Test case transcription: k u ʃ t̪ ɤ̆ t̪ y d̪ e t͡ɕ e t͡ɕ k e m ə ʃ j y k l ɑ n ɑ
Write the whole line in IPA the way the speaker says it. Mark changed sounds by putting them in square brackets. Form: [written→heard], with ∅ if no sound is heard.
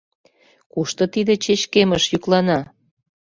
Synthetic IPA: k u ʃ t̪ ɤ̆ t̪ [y→i] d̪ e t͡ɕ e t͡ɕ k e m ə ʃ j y k l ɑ n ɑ